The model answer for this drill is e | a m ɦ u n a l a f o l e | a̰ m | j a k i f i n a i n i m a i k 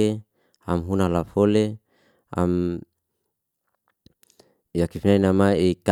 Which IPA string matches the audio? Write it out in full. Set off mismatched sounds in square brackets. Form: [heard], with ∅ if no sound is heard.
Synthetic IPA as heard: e | a m ɦ u n a l a f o l e | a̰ m | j a k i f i n a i n [a] m a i k